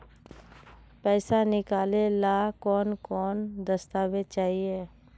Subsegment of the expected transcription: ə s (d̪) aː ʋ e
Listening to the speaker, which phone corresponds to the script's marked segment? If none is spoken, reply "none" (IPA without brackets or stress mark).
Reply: t̪